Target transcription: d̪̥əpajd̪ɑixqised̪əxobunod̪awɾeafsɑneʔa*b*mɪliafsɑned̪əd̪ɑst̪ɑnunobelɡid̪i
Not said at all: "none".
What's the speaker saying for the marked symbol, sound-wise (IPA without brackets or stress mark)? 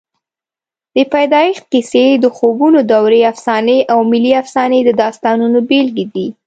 w